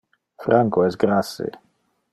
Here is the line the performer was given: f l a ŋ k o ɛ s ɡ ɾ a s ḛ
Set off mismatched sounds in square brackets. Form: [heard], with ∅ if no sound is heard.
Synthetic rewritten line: f [ɾ] a ŋ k o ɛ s ɡ ɾ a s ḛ